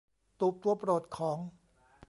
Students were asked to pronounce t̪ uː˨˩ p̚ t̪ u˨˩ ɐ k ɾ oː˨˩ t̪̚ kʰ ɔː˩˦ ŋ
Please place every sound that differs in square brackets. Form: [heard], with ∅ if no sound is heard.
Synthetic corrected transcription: t̪ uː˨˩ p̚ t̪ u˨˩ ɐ [p] ɾ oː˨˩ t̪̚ kʰ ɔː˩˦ ŋ